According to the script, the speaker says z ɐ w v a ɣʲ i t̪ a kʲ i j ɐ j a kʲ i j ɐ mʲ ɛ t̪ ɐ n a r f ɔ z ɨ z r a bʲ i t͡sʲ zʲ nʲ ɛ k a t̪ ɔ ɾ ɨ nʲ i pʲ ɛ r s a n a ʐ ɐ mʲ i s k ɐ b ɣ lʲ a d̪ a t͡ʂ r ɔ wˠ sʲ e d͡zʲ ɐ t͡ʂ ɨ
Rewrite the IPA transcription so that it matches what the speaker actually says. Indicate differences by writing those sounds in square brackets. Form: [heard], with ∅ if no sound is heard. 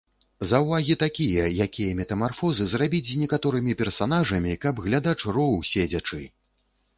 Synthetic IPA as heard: z ɐ w v a ɣʲ i t̪ a kʲ i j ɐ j a kʲ i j ɐ mʲ ɛ t̪ ɐ [m] a r f ɔ z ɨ z r a bʲ i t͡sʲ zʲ nʲ ɛ k a t̪ ɔ ɾ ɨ [mʲ] i pʲ ɛ r s a n a ʐ ɐ mʲ i [∅] k ɐ b ɣ lʲ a d̪ a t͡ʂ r ɔ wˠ sʲ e d͡zʲ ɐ t͡ʂ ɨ